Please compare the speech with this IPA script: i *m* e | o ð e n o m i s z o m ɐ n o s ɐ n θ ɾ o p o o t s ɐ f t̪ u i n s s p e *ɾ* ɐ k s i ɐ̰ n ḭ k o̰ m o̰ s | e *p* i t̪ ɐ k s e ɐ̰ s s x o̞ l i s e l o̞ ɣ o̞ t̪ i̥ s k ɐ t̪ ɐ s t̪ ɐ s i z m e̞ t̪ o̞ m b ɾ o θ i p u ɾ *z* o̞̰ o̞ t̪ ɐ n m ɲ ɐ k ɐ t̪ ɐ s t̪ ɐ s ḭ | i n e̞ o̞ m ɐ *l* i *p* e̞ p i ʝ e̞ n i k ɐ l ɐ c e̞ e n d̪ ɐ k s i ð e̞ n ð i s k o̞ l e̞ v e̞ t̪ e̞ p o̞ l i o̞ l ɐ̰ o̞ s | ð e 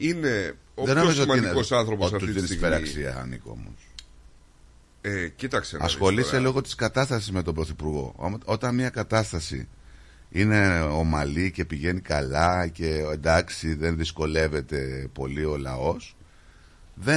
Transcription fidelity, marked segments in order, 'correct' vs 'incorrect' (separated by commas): incorrect, correct, incorrect, incorrect, correct, incorrect